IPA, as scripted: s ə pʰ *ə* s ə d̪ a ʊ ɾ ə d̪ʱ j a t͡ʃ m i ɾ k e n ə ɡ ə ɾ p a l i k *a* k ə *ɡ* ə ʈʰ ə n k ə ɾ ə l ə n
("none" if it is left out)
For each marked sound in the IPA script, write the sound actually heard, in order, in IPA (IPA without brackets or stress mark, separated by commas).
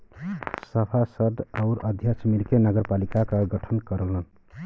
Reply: a, a, ɡ